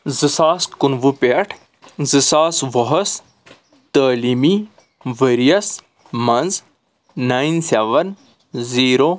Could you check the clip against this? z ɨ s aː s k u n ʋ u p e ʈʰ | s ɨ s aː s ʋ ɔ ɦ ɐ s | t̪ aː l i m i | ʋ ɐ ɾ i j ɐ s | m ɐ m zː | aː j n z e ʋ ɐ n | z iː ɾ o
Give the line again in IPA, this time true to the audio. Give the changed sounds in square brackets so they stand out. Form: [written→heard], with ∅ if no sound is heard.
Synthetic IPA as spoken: z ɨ s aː s k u n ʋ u p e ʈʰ | [s→z] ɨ s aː s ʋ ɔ ɦ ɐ s | t̪ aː l i m i | ʋ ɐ ɾ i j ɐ s | m ɐ [m→n] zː | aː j n [z→s] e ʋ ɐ n | z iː ɾ o